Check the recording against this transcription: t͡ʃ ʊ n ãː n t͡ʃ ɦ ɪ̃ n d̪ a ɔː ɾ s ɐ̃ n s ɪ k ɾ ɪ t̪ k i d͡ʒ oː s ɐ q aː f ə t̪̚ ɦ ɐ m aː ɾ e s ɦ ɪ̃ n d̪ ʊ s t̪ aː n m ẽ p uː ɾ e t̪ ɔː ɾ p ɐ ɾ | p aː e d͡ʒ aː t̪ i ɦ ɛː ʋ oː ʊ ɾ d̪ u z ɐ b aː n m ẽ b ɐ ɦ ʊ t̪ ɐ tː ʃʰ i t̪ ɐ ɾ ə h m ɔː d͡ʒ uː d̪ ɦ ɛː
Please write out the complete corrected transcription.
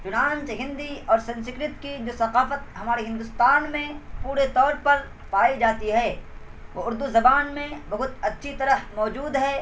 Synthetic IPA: t͡ʃ ʊ n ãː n t͡ʃ ɦ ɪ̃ n d̪ i ɔː ɾ s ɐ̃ n s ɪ k ɾ ɪ t̪ k i d͡ʒ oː s ɐ q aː f ə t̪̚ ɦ ɐ m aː ɾ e ɦ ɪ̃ n d̪ ʊ s t̪ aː n m ẽ p uː ɾ e t̪ ɔː ɾ p ɐ ɾ | p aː i d͡ʒ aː t̪ i ɦ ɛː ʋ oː ʊ ɾ d̪ u z ɐ b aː n m ẽ b ɐ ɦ ʊ t̪ ɐ tː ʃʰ i t̪ ɐ ɾ ə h m ɔː d͡ʒ uː d̪ ɦ ɛː